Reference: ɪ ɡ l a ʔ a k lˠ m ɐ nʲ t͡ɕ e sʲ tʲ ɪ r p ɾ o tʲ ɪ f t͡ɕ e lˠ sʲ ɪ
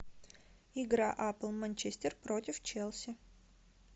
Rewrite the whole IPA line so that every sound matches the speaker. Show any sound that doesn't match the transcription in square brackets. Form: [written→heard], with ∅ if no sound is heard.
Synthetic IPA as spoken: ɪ ɡ [l→ɾ] a ʔ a [k→p] lˠ m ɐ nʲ t͡ɕ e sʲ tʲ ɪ r p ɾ o tʲ ɪ f t͡ɕ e lˠ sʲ ɪ